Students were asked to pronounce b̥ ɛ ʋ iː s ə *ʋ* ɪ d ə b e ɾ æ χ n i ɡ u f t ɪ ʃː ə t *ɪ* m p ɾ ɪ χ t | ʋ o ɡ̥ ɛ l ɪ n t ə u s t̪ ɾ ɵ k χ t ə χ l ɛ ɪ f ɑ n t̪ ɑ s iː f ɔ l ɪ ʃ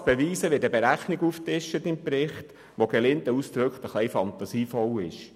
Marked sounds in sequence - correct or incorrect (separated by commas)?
correct, correct